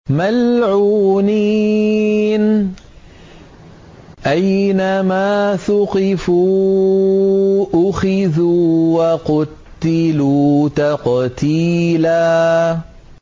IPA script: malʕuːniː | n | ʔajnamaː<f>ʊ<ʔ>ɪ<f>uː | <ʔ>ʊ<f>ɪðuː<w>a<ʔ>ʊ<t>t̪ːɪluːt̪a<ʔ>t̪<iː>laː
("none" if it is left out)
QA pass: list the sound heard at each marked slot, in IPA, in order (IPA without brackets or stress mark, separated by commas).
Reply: θ, q, f, ʔ, x, w, q, t, q, iː